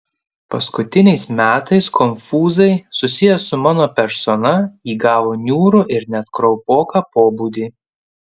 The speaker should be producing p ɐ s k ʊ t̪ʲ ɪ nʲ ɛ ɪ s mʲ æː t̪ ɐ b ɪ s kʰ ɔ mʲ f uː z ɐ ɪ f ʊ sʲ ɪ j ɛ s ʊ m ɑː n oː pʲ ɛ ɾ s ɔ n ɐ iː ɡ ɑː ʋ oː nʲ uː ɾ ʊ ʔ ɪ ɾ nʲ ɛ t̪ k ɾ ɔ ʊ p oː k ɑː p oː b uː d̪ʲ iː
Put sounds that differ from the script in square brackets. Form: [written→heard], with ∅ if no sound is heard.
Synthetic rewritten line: p ɐ s k ʊ t̪ʲ ɪ nʲ ɛ ɪ s mʲ æː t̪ ɐ [b→∅] ɪ s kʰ ɔ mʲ f uː z ɐ ɪ [f→s] ʊ sʲ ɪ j ɛ s ʊ m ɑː n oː pʲ ɛ ɾ s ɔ n ɐ iː ɡ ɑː ʋ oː nʲ uː ɾ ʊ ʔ ɪ ɾ nʲ ɛ t̪ k ɾ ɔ ʊ p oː k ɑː p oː b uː d̪ʲ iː